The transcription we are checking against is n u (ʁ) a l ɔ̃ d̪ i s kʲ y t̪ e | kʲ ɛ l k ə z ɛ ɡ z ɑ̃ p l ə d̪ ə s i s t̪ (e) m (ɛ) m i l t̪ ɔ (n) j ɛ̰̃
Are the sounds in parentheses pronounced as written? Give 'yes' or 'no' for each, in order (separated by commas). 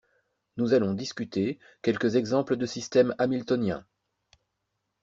no, no, no, yes